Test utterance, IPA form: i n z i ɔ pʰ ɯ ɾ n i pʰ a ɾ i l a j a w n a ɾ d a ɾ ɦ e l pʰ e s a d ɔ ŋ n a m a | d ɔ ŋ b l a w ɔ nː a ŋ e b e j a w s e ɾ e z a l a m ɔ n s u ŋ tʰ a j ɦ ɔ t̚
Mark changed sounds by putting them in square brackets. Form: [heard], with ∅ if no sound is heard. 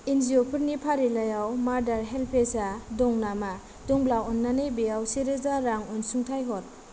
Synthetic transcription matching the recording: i n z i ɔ pʰ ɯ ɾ n i pʰ a ɾ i l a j a w [m] a ɾ d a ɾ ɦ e l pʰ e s a d ɔ ŋ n a m a | d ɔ ŋ b l a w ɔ nː a [n] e b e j a w s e ɾ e z a [ɾ] a [ŋ] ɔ n s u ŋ tʰ a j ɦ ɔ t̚